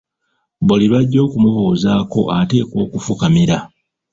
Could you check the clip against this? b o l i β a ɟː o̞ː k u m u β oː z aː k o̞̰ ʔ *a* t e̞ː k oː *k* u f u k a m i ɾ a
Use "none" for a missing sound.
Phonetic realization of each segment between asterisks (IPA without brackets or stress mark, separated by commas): a, k